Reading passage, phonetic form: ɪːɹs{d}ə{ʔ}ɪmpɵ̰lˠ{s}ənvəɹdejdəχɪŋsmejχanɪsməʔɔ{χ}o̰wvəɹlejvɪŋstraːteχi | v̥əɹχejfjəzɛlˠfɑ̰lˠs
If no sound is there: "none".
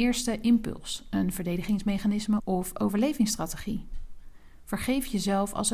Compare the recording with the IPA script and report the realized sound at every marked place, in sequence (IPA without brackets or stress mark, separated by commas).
t, ʔ, s, f